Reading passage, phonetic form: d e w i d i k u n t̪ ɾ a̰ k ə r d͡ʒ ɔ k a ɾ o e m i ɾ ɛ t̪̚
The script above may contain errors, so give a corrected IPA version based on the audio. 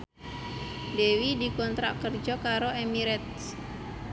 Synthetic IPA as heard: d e w i d i k ɔ n t̪ ɾ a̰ k ə r d͡ʒ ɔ k a ɾ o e m i ɾ ɛ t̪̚